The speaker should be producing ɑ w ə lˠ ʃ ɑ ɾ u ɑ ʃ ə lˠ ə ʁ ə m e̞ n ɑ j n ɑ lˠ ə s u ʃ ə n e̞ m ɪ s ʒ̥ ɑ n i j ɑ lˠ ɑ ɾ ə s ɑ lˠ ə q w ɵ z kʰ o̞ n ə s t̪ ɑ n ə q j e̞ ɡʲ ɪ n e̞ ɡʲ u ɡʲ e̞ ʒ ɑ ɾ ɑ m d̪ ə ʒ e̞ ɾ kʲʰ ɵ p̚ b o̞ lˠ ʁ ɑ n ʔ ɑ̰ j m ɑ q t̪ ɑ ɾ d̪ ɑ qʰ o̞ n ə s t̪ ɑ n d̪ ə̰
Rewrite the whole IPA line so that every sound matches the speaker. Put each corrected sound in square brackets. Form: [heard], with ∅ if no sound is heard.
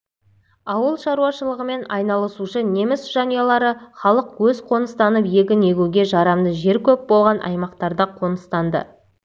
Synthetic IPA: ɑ w ə lˠ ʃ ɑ ɾ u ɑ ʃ ə lˠ ə ʁ ə m e̞ n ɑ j n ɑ lˠ ə s u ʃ ə n e̞ m ɪ s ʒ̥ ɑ n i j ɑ lˠ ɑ ɾ ə [χ] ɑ lˠ ə q w ɵ z [qʰ] o̞ n ə s t̪ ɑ n ə [p] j e̞ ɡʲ ɪ n e̞ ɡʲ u ɡʲ e̞ ʒ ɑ ɾ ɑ m d̪ ə ʒ e̞ ɾ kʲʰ ɵ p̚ b o̞ lˠ ʁ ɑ n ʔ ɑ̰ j m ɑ q t̪ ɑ ɾ d̪ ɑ qʰ o̞ n ə s t̪ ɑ n d̪ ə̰